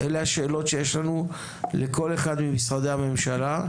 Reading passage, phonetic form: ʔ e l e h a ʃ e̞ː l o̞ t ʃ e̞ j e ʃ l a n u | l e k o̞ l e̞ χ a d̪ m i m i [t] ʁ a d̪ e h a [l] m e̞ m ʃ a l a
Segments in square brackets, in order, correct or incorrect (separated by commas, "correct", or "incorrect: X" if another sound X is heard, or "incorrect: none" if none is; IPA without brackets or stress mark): incorrect: s, incorrect: none